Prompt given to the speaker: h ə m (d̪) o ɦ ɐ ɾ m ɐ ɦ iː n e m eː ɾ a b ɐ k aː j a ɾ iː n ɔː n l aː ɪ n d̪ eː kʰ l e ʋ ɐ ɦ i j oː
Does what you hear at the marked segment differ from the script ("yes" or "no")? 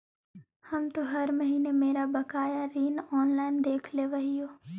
yes